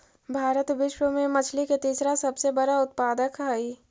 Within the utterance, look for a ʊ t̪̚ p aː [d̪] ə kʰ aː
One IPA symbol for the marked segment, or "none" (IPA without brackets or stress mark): d̪